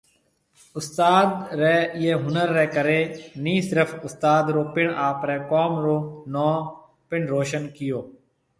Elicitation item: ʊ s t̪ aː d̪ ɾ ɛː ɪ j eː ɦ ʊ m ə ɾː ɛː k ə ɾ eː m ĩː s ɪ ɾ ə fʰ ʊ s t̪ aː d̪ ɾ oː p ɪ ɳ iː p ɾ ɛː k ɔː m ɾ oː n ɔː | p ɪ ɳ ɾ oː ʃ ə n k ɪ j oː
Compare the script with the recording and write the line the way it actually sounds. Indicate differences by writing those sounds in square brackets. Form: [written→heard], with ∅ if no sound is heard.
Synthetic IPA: ʊ s t̪ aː d̪ ɾ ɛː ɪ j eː ɦ ʊ [m→n] ə ɾː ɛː k ə ɾ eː [m→n] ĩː s ɪ ɾ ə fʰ ʊ s t̪ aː d̪ ɾ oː p ɪ ɳ [iː→aː] p ɾ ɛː k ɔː m ɾ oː n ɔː | p ɪ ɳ ɾ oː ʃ ə n k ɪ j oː